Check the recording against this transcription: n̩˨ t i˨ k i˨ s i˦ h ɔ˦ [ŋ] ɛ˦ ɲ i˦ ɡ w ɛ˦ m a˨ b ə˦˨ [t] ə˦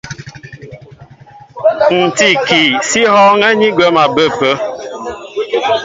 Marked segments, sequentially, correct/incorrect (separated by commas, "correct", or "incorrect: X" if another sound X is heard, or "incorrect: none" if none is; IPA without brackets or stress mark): correct, incorrect: p